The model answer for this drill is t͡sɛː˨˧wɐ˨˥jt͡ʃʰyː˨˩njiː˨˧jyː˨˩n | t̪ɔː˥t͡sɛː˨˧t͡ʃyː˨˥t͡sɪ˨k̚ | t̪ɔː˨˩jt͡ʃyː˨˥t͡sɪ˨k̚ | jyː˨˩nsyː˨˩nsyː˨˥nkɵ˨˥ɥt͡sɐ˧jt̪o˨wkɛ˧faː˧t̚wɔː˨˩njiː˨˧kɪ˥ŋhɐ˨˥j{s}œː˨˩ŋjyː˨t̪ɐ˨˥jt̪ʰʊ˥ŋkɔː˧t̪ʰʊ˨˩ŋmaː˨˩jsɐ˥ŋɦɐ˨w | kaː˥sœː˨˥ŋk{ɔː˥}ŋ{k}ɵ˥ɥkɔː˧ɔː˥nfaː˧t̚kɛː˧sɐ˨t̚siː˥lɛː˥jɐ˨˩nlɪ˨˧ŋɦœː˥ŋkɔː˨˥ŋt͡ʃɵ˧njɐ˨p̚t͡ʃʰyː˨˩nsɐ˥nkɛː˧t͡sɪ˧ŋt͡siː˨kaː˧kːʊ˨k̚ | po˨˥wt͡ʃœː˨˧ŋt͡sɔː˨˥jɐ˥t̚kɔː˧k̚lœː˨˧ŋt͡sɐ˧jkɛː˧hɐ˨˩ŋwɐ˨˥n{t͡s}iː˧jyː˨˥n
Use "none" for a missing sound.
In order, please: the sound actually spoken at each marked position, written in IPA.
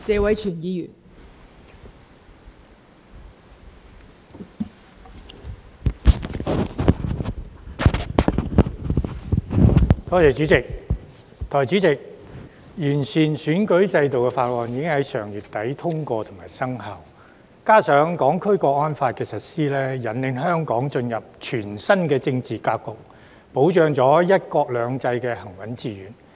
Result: s, ɔː˨˥, kʰ, t͡s

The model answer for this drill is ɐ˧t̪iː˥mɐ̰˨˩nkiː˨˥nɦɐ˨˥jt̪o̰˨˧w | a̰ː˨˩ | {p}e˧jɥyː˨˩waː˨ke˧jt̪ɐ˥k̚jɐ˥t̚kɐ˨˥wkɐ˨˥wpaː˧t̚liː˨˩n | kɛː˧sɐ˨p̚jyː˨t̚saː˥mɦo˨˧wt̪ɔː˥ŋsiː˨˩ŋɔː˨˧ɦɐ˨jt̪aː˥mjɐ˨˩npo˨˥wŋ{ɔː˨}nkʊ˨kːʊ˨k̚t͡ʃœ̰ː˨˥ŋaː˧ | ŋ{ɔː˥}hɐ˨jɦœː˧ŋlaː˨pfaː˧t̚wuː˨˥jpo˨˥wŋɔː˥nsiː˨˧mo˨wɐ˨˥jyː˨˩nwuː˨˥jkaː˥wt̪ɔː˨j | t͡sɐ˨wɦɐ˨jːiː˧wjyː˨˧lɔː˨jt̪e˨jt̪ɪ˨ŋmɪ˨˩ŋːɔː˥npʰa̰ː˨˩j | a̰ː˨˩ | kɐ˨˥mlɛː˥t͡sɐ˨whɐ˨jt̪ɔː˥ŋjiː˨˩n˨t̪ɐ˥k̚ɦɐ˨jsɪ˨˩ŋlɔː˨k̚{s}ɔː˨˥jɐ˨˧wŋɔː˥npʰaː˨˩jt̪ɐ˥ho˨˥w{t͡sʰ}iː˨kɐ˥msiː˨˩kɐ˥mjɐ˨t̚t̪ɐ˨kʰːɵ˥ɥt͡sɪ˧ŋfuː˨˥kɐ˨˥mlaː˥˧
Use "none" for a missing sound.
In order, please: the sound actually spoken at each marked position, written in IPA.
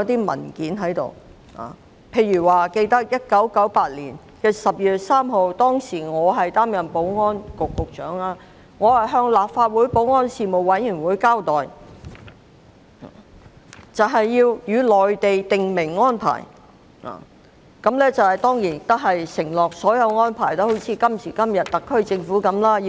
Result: pʰ, ɔː˥, ɔː˨˧, s, t͡sʰ

